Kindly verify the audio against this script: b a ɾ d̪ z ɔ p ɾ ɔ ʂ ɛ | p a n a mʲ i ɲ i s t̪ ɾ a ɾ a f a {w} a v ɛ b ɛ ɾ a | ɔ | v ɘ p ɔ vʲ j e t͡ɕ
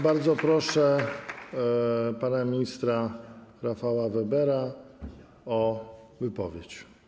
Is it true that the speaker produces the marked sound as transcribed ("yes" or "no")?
yes